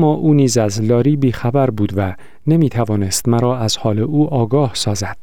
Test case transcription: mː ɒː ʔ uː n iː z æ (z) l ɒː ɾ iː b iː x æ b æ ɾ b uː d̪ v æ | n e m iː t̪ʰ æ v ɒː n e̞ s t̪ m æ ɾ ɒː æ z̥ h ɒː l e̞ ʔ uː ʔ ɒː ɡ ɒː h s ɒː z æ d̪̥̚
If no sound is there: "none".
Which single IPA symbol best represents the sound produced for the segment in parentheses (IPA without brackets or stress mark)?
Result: z